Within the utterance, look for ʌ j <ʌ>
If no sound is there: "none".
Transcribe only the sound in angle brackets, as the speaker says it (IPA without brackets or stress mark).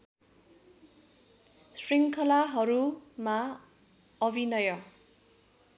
ʌ